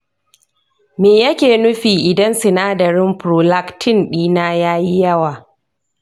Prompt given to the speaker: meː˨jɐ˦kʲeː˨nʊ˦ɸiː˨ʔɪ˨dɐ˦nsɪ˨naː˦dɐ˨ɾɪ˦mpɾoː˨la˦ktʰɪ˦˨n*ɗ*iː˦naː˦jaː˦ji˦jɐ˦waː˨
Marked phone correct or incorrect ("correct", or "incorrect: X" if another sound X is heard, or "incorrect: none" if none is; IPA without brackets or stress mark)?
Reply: correct